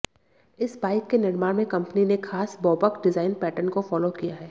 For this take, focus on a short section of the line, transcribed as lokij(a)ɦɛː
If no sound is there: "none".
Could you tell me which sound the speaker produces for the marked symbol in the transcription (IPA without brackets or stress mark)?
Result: a